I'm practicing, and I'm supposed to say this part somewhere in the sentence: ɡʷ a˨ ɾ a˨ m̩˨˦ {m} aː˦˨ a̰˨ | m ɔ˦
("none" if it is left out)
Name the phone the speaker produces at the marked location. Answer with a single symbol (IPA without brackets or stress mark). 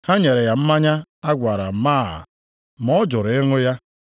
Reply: m